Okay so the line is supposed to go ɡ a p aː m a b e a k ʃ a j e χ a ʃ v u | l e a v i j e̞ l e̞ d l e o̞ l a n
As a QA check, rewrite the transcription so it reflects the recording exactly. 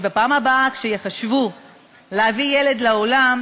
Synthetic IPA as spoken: b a p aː m a b a a k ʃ e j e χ a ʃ v u | l e a v i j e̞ l e̞ d l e o̞ l a m